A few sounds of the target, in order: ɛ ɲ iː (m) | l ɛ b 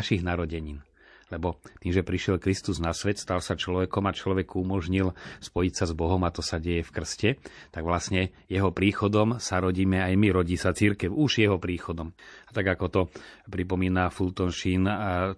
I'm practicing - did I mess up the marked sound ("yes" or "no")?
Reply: yes